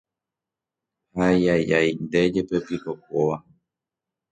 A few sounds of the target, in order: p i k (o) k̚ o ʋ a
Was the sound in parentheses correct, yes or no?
yes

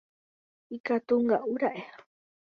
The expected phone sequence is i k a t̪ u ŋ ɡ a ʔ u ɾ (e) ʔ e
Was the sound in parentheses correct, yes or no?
no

